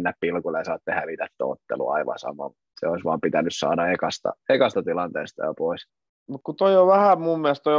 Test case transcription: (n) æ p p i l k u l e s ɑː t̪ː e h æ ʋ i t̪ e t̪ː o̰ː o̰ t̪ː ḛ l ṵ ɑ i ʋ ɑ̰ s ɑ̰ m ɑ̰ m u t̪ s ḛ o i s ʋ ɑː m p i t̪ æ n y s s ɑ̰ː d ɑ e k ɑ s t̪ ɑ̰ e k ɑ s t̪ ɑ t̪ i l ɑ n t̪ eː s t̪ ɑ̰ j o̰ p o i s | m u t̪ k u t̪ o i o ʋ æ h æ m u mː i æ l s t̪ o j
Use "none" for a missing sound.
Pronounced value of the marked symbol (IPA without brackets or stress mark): nː